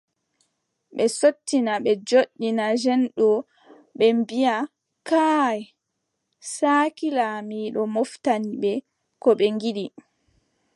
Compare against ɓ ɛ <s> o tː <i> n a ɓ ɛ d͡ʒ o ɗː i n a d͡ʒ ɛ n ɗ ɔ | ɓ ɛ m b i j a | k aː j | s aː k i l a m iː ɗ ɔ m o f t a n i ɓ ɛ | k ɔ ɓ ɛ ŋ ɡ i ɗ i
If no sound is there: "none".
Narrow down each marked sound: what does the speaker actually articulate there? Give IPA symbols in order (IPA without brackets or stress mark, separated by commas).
s, i